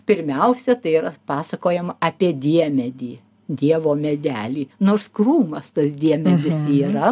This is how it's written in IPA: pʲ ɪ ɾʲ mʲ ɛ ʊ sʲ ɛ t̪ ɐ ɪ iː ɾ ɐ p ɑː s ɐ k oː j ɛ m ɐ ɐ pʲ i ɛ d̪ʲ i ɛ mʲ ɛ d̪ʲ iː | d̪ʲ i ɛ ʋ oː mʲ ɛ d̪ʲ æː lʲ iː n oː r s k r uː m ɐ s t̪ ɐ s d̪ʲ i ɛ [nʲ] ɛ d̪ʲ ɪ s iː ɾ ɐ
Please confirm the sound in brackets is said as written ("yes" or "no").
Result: no